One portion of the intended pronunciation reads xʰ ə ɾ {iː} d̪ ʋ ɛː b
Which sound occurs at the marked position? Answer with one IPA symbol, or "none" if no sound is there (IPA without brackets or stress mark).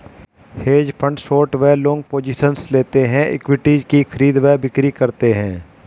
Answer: iː